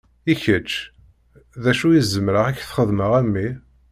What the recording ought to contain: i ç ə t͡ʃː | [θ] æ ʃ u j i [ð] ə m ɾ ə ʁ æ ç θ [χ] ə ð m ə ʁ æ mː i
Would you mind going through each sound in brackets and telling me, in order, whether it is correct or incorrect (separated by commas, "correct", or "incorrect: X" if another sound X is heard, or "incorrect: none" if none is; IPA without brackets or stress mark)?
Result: incorrect: ð, incorrect: z, correct